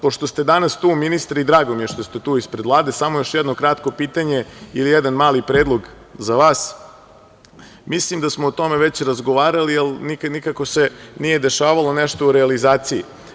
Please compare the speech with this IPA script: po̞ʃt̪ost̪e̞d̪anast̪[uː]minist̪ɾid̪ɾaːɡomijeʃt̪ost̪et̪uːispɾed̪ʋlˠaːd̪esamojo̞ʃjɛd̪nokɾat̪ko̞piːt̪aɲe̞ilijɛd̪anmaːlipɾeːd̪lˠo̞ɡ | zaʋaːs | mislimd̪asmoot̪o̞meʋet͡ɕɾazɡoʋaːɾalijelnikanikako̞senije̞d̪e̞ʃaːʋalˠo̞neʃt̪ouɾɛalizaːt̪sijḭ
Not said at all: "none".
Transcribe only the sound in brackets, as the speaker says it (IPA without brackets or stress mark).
uː